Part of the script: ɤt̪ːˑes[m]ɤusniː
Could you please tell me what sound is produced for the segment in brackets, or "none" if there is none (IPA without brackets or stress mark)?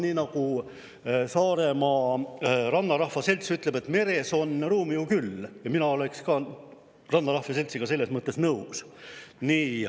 n